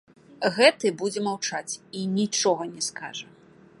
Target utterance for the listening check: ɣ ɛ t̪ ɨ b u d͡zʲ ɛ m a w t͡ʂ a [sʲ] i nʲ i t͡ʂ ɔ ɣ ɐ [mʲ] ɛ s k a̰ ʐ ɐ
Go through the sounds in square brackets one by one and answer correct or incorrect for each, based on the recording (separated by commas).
incorrect, incorrect